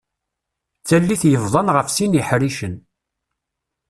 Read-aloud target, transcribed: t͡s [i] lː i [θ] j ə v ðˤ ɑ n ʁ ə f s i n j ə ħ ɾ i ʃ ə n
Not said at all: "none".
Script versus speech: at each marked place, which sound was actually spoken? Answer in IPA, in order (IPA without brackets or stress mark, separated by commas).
æ, θ